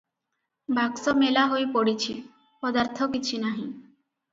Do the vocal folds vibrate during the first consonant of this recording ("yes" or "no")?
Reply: yes